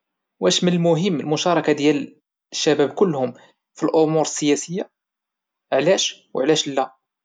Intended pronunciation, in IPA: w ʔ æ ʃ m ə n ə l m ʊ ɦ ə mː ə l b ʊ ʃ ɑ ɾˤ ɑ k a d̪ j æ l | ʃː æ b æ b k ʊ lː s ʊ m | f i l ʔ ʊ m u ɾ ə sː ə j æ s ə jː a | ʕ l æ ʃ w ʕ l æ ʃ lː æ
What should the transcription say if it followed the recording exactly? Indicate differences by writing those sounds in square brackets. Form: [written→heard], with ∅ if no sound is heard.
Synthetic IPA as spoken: w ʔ æ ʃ m ə n ə l m ʊ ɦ ə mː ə l [b→m] ʊ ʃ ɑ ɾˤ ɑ k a d̪ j æ l | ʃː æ b æ b k ʊ lː [s→h] ʊ m | f i l ʔ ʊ m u ɾ ə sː ə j æ s ə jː a | ʕ l æ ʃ w ʕ l æ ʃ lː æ